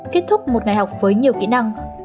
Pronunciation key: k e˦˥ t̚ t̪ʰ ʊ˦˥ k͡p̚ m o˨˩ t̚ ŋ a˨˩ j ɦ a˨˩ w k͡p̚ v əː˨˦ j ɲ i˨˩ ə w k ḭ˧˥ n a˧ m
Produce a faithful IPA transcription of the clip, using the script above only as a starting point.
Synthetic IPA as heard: k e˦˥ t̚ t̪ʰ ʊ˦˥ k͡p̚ m o˨˩ t̚ ŋ a˨˩ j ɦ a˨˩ w k͡p̚ v əː˨˦ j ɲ i˨˩ ə w k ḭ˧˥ n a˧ ŋ